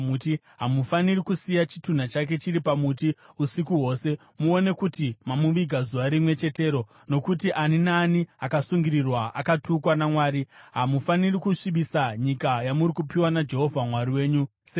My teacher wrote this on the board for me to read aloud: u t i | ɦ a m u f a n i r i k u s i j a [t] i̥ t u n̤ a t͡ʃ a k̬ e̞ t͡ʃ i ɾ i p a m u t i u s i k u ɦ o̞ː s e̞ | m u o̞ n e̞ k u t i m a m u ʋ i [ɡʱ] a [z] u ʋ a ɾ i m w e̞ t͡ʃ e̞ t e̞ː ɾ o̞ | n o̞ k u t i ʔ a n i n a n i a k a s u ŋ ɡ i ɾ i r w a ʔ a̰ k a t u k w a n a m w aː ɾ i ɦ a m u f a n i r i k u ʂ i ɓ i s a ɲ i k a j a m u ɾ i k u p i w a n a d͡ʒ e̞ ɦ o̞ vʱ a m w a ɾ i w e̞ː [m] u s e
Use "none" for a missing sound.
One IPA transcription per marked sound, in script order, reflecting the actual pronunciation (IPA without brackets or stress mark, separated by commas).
t͡ʃ, ɡʱ, z, ɲ